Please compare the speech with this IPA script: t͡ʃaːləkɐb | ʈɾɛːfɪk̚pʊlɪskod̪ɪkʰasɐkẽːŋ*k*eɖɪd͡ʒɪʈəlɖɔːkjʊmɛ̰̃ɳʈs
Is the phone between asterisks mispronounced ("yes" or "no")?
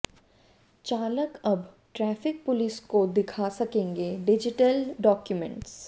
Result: yes